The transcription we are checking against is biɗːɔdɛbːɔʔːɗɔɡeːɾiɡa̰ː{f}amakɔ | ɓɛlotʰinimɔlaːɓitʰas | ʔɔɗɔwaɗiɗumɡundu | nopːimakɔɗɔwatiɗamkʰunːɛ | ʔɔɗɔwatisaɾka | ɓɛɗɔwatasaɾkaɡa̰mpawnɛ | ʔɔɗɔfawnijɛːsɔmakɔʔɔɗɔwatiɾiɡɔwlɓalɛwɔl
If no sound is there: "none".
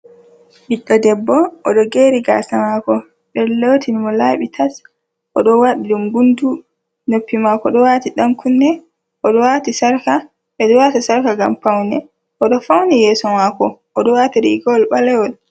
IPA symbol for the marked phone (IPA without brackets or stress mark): s